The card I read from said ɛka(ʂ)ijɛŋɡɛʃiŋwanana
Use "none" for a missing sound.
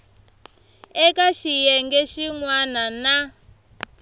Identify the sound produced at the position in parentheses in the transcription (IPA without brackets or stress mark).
ʃ